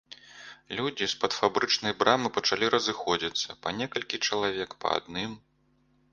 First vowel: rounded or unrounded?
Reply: rounded